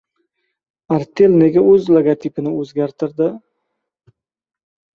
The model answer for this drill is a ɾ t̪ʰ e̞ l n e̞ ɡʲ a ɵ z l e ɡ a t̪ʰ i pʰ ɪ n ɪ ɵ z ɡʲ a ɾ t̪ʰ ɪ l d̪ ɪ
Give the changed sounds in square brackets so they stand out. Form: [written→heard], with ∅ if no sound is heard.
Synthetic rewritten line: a ɾ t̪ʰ e̞ l n e̞ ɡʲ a ɵ z l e ɡ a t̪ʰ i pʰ ɪ n ɪ ɵ z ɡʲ a ɾ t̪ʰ ɪ [l→ɾ] d̪ ɪ